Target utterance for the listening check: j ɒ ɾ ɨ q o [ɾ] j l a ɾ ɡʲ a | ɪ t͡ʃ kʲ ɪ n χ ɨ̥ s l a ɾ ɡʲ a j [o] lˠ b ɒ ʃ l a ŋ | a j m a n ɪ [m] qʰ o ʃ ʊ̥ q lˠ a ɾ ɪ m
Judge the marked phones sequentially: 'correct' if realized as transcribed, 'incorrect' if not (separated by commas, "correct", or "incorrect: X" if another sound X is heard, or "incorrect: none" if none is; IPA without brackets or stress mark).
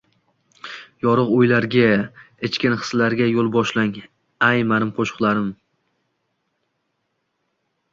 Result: incorrect: none, correct, correct